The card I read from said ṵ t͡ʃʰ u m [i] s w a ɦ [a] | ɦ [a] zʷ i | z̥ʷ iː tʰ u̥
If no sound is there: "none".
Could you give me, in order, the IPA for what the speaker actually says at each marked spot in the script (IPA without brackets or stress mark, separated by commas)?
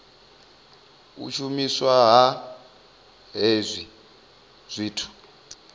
i, a, e